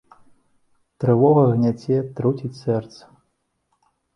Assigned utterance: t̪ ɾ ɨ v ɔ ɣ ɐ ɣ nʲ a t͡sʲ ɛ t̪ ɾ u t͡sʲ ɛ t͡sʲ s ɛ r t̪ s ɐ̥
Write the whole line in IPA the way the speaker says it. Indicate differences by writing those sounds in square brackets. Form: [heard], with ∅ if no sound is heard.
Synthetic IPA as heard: t̪ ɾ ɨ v ɔ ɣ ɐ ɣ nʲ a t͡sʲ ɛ t̪ ɾ u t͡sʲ [i] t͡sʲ s ɛ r t̪ s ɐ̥